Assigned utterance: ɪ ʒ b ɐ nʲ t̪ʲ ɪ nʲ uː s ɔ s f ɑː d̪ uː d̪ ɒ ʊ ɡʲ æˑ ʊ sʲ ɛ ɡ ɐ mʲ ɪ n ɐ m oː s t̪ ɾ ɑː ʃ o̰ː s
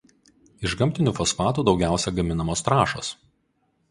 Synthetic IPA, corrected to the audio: ɪ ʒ ɡ ɐ mʲ t̪ʲ ɪ nʲ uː f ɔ s f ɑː t̪ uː d̪ ɒ ʊ ɡʲ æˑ ʊ sʲ ɛ ɡ ɐ mʲ ɪ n ɐ m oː s t̪ ɾ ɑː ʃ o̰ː s